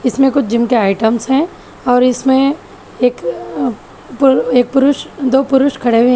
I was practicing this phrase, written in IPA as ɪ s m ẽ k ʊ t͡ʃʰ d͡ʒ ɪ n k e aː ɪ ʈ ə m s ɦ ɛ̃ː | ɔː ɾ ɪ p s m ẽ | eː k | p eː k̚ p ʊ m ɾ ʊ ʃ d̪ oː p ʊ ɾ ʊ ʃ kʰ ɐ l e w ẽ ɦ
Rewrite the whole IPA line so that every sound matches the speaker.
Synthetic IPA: ɪ s m ẽ k ʊ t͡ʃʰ d͡ʒ ɪ m k e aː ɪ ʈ ə m s ɦ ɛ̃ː | ɔː ɾ ɪ s m ẽ | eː k | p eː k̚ p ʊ ɾ ʊ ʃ d̪ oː p ʊ ɾ ʊ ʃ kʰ ɐ ɽ e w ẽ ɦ